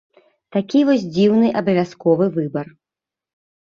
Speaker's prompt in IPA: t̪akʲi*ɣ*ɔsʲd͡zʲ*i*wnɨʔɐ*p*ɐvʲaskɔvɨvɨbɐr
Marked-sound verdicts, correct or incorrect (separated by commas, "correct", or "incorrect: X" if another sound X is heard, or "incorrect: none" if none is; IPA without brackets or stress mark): incorrect: v, correct, incorrect: b